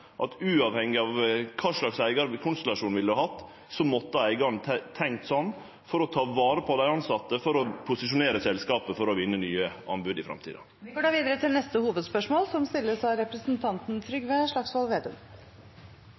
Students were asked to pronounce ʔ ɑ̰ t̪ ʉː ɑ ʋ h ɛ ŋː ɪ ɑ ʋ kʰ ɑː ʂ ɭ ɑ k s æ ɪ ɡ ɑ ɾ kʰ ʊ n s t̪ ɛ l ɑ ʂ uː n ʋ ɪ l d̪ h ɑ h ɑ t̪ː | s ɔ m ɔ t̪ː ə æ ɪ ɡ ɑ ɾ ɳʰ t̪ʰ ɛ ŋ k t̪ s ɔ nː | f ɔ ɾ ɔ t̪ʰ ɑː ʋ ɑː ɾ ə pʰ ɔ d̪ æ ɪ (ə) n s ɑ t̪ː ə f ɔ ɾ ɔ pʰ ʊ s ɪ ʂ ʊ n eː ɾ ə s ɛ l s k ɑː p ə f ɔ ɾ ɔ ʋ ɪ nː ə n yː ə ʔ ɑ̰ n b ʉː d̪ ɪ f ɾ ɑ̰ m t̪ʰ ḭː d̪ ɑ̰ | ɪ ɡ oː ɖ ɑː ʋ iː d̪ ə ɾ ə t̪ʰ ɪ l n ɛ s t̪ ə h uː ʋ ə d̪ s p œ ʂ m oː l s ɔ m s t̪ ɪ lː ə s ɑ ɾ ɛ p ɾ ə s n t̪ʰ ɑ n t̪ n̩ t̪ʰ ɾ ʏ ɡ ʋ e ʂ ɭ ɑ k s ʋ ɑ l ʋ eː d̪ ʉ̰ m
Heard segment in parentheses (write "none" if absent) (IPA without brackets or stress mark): ɑ